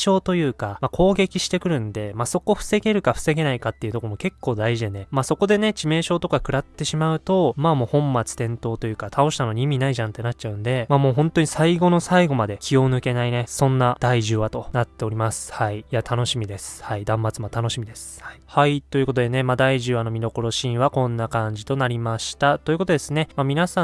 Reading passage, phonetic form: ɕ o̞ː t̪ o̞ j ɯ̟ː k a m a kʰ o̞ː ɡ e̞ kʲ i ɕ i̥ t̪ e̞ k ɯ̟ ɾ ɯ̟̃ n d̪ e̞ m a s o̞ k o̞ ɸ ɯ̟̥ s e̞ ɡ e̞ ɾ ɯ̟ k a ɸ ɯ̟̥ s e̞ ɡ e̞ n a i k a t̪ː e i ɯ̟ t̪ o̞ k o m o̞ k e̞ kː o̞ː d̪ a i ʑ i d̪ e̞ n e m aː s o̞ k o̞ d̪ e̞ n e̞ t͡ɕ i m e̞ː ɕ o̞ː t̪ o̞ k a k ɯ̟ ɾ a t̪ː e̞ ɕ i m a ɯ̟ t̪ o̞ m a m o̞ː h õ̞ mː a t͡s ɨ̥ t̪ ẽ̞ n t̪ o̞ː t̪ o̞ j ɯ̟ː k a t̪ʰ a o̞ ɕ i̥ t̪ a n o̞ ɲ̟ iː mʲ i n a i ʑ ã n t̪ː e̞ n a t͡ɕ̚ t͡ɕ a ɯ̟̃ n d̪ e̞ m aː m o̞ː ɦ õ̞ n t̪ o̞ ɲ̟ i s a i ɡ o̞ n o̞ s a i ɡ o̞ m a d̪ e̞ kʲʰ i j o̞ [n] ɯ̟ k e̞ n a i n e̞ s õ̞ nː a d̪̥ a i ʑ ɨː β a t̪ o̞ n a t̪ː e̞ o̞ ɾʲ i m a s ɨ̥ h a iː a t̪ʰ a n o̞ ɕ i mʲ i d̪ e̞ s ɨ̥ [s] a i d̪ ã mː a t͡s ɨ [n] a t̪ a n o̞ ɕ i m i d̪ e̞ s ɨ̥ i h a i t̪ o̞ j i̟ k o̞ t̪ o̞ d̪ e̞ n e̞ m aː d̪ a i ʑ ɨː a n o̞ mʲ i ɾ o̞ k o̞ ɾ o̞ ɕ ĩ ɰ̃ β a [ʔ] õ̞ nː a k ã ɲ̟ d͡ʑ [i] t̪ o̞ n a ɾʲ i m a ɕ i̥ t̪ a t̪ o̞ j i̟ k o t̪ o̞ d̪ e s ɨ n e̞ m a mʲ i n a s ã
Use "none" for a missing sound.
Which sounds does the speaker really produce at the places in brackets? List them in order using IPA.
n, h, m, k, i

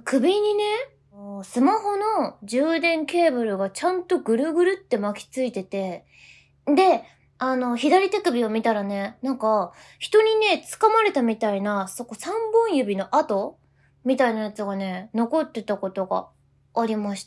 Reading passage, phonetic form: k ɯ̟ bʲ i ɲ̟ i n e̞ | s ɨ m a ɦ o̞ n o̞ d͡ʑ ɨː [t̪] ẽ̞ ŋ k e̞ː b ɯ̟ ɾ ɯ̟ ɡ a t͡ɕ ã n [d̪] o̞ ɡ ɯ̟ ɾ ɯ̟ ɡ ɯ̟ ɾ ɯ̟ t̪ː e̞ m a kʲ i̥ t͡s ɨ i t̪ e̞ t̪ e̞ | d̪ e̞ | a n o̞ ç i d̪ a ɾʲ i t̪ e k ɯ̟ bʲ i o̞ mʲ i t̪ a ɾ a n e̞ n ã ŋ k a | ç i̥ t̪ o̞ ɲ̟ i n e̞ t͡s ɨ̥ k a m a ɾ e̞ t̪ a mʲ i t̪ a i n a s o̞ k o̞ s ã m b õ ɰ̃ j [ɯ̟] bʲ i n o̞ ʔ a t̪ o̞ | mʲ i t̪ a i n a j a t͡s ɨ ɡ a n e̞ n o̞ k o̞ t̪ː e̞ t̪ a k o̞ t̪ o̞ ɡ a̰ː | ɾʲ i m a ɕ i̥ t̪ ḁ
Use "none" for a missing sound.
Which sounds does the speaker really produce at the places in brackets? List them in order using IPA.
d̪, t̪, ɯ̟

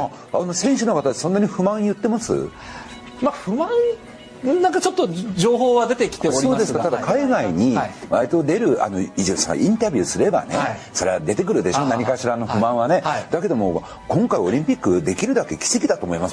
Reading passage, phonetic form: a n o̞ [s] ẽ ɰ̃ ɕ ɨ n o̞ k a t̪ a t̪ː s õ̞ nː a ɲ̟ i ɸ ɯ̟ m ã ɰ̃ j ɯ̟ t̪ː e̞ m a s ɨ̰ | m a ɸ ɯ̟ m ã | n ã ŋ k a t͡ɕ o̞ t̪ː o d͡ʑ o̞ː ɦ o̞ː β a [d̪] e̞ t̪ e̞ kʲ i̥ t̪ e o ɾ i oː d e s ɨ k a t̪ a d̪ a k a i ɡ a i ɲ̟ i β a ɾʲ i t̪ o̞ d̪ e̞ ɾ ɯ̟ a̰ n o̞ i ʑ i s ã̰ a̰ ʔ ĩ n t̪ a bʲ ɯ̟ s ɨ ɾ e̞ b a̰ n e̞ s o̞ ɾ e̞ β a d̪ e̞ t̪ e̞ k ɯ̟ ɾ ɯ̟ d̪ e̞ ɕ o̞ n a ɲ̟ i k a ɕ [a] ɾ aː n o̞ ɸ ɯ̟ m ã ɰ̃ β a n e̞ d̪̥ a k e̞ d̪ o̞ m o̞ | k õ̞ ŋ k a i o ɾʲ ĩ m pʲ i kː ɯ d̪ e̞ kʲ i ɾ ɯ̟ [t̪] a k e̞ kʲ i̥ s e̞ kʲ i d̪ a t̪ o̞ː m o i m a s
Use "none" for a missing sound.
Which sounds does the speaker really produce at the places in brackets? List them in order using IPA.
s, d̪, i, d̪

